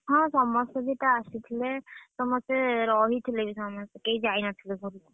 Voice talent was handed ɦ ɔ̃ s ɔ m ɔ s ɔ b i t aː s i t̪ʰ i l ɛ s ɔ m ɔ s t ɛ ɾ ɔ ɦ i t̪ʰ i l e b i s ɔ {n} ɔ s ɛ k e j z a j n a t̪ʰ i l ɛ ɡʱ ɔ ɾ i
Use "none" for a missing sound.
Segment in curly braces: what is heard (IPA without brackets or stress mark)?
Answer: m